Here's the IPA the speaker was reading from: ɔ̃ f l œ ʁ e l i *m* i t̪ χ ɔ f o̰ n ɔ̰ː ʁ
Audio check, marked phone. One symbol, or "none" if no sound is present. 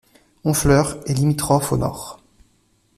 m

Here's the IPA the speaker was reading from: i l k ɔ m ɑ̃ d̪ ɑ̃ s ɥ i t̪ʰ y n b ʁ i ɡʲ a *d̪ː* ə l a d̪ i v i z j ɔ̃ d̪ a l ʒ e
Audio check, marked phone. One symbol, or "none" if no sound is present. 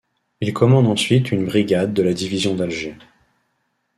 d̪ː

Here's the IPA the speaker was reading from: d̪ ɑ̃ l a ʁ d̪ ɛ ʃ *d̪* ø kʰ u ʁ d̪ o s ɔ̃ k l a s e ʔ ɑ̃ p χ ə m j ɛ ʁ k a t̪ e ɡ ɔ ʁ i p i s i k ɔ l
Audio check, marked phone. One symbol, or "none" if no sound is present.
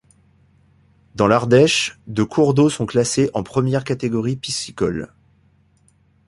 d̪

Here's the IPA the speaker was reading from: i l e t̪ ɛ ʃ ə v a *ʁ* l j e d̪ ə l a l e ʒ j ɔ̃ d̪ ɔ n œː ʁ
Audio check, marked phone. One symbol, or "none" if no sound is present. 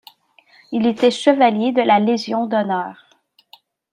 none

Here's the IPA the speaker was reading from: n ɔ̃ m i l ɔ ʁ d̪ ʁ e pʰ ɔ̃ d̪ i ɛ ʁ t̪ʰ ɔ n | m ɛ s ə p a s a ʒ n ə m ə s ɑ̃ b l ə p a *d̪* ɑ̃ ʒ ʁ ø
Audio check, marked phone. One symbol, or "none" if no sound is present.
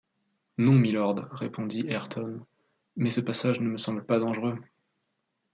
d̪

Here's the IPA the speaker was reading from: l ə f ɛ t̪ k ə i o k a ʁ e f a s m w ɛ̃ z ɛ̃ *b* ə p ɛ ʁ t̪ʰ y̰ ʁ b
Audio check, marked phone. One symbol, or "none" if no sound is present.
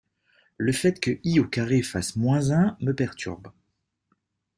m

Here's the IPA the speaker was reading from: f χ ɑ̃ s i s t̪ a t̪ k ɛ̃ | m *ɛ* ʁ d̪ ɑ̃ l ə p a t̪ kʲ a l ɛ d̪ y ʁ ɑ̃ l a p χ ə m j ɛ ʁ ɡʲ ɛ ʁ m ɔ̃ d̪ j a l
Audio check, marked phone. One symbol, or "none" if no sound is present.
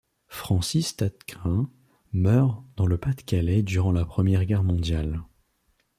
œ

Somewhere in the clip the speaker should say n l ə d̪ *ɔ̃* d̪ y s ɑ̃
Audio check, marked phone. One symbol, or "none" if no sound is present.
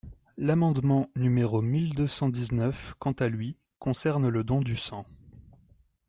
ɔ̃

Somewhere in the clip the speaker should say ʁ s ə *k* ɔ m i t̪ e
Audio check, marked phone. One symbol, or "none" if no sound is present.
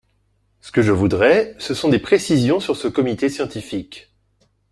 k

